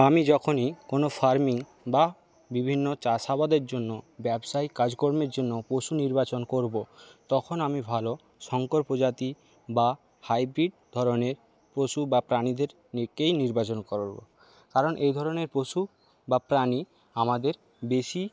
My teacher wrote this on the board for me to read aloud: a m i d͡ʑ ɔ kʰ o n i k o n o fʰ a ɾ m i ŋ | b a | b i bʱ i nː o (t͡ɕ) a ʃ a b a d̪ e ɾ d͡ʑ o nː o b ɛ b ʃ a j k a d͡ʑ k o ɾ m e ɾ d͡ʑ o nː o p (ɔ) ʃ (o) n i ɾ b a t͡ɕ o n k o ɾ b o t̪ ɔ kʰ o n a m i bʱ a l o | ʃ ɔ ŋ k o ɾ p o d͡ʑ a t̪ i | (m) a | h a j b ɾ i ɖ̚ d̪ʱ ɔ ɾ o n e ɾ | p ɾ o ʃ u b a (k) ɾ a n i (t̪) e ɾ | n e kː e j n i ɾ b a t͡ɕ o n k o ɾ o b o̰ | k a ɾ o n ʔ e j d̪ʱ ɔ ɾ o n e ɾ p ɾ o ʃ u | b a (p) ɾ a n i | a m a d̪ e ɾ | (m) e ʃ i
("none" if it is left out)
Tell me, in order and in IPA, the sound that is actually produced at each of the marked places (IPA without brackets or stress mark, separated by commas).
t͡ɕ, o, u, b, p, d̪, p, b